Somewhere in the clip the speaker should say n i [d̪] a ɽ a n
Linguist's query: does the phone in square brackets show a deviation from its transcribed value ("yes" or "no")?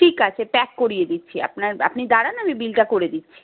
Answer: no